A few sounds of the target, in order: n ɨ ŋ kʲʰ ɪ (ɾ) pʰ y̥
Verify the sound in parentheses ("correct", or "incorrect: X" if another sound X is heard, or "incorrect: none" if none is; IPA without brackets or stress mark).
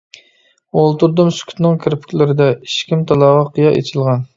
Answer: correct